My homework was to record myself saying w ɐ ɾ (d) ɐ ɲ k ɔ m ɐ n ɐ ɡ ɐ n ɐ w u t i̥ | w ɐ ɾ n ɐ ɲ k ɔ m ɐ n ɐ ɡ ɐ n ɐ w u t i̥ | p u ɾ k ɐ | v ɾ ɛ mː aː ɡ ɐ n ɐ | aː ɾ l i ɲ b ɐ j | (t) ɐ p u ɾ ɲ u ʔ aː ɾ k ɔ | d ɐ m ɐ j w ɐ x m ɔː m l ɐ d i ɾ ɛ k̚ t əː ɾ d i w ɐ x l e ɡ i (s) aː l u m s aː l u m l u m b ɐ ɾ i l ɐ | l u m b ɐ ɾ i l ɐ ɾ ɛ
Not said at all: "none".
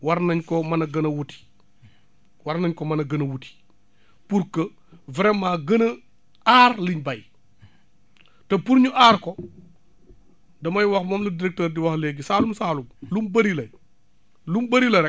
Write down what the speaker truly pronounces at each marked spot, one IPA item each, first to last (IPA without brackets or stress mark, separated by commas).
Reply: n, t, s